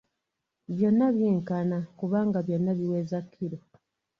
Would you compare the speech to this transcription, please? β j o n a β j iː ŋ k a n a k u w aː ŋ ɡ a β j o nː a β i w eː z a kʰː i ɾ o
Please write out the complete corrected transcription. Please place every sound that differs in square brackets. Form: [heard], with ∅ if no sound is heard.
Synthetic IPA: β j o [nː] a β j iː ŋ k a n a k u [β] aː ŋ ɡ a β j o nː a β i w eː z a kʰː i ɾ o